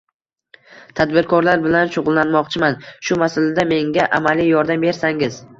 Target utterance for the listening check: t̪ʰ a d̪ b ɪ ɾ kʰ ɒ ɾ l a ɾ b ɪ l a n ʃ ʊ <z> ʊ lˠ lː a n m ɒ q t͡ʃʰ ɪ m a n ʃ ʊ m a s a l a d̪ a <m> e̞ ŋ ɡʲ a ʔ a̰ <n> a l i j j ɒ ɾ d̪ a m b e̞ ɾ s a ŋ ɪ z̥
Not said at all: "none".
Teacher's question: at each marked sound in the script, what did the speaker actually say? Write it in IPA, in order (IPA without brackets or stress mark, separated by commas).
ʁ, m, m